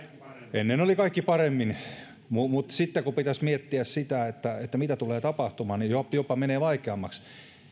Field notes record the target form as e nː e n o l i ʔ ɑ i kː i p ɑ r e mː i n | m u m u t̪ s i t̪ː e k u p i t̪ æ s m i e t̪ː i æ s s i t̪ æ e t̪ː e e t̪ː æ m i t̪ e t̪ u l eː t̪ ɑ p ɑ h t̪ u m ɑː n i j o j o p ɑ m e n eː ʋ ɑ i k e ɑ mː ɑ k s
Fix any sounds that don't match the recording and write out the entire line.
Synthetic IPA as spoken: e nː e n o l i k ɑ i kː i p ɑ r e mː i n | m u m u t̪ s i t̪ː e k u p i t̪ æ s m i e t̪ː i æ s s i t̪ æ e t̪ː æ e t̪ː æ m i t̪ æ t̪ u l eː t̪ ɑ p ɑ h t̪ u m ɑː n i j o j o p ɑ m e n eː ʋ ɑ i k e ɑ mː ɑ k s

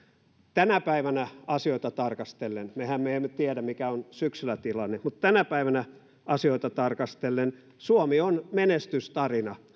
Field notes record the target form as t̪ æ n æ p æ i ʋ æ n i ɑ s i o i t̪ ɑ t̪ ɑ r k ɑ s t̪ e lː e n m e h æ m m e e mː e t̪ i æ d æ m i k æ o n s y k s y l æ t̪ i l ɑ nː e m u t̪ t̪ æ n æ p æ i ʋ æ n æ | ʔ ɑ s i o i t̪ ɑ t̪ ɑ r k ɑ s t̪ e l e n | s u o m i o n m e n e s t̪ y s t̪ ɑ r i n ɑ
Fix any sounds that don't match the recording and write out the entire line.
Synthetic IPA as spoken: t̪ æ n æ p æ i ʋ æ n æ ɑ s i o i t̪ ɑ t̪ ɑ r k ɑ s t̪ e lː e n m e h æ m m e e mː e t̪ i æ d æ m i k æ o n s y k s y l æ t̪ i l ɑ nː e m u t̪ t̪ æ n æ p æ i ʋ æ n æ | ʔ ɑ s i o i t̪ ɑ t̪ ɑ r k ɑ s t̪ e lː e n | s u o m i o n m e n e s t̪ y s t̪ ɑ r i n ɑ

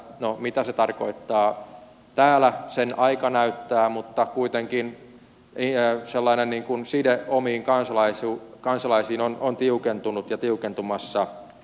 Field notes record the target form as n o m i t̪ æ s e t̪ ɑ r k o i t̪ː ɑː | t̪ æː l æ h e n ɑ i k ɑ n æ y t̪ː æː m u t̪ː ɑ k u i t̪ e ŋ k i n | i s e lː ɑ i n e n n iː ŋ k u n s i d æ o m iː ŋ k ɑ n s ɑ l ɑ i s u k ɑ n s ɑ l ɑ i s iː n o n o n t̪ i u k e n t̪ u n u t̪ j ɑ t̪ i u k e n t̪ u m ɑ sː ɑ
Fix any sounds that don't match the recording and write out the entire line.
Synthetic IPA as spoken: n o m i t̪ æ s e t̪ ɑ r k o i t̪ː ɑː | t̪ æː l æ s e n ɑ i k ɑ n æ y t̪ː æː m u t̪ː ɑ k u i t̪ e ŋ k i n | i s e lː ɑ i n e n n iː ŋ k u n s i d e o m iː ŋ k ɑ n s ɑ l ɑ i s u k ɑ n s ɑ l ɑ i s iː n o n o n t̪ i u k e n t̪ u n u t̪ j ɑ t̪ i u k e n t̪ u m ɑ sː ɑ

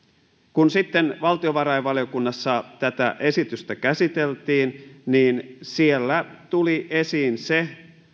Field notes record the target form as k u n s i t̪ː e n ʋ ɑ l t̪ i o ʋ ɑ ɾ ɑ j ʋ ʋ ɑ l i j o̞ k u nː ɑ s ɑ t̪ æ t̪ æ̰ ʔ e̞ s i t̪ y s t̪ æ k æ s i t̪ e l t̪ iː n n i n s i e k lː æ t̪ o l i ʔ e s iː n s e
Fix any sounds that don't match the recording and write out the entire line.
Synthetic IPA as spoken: k u n s i t̪ː e n ʋ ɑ l t̪ i o ʋ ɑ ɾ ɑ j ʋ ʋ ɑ l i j o̞ k u nː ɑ sː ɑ t̪ æ t̪ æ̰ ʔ e̞ s i t̪ y s t̪ æ k æ s i t̪ e l t̪ iː n n iː n s i e lː æ t̪ u l i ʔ e s iː n s e

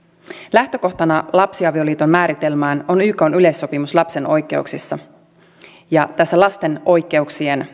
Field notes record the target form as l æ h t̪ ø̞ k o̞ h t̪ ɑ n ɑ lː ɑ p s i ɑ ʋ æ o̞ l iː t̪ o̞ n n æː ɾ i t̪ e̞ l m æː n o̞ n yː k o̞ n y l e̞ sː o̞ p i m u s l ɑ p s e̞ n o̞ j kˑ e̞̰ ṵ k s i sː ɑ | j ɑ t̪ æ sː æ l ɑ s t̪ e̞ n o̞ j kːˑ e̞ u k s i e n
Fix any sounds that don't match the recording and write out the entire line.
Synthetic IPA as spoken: l æ h t̪ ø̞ k o̞ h t̪ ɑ n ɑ l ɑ p s i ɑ ʋ i o̞ l iː t̪ o̞ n m æː ɾ i t̪ e̞ l m æː n o̞ n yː k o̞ n y l e̞ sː o̞ p i m u s l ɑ p s e̞ n o̞ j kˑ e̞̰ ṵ k s i sː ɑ | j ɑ t̪ æ sː æ l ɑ s t̪ e̞ n o̞ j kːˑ e̞ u k s i e n

